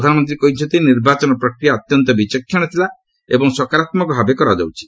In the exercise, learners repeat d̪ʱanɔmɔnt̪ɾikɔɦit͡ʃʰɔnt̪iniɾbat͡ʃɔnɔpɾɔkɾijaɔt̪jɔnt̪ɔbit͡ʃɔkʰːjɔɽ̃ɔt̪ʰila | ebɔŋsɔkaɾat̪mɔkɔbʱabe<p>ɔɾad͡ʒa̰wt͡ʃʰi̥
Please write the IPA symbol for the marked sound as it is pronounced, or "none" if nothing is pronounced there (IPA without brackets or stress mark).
k